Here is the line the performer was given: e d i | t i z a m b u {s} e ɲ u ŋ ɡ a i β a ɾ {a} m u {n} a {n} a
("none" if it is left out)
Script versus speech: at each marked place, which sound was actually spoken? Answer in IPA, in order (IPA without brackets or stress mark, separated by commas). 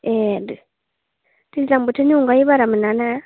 t, a, n, n